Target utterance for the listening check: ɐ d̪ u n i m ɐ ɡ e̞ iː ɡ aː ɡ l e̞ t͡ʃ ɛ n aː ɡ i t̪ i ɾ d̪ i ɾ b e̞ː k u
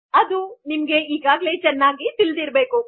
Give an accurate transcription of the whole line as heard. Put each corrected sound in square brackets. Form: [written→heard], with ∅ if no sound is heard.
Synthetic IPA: ɐ d̪ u n i m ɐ ɡ e̞ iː ɡ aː ɡ l e̞ t͡ʃ ɛ [n→nː] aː ɡ i t̪ i [ɾ→l] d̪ i ɾ b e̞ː k u